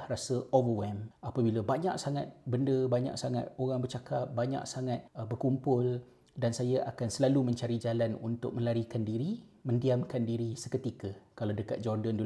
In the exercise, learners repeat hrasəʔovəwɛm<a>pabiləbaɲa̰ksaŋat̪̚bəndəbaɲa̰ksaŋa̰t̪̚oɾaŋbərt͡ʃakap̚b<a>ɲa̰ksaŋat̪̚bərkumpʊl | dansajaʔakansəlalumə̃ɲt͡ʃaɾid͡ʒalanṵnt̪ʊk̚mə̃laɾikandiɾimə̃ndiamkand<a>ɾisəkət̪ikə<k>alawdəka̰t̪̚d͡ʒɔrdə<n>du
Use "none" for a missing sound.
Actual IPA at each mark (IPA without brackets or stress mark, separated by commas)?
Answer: a, a, i, k, n